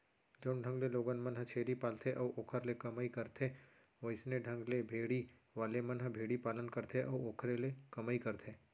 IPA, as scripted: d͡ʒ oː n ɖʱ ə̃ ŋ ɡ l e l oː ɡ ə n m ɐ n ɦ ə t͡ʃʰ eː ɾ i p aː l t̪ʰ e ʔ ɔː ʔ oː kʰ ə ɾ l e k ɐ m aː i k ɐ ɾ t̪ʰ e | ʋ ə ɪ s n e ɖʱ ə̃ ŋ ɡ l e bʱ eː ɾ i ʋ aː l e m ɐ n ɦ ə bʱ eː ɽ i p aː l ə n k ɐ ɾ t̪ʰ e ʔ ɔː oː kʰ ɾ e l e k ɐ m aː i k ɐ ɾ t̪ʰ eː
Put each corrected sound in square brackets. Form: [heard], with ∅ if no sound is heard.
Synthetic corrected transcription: d͡ʒ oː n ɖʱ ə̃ ŋ ɡ l e l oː ɡ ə n m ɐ n ɦ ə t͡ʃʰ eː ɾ i p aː l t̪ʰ e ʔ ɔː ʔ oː kʰ ə ɾ l e k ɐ m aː i k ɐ ɾ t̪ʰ e | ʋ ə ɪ s n e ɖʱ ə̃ ŋ ɡ l e bʱ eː [ɽ] i ʋ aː l e m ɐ n ɦ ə bʱ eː ɽ i p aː l ə n k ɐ ɾ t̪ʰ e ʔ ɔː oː kʰ ɾ e l e k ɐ m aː i k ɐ ɾ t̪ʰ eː